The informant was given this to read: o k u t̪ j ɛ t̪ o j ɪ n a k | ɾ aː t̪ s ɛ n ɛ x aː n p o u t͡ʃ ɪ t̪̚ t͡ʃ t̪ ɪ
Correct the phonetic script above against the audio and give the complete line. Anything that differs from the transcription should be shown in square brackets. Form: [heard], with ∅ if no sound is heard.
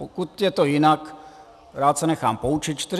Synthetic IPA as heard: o k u t̪ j ɛ t̪ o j ɪ n a k | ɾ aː t̪ s ɛ n ɛ x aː [m] p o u t͡ʃ ɪ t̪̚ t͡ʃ t̪ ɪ